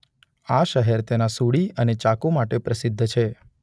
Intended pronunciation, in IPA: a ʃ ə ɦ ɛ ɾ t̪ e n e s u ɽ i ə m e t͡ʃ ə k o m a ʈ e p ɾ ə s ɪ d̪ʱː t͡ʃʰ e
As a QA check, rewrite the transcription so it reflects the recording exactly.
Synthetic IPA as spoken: a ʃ ə ɦ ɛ ɾ t̪ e n a s u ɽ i ə n e t͡ʃ a k o m a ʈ e p ɾ ə s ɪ d̪ʱː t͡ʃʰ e

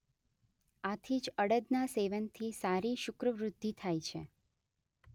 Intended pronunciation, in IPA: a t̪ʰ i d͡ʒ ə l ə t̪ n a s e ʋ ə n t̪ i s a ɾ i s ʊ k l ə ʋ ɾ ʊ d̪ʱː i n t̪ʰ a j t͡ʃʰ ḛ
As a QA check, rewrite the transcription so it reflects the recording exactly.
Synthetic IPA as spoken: a t̪ʰ i d͡ʒ ə ɽ ə d̪ n a s e ʋ ə n t̪ʰ i s a ɾ i ʃ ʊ k ɾ ə ʋ ɾ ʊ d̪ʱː i t̪ʰ a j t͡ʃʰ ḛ

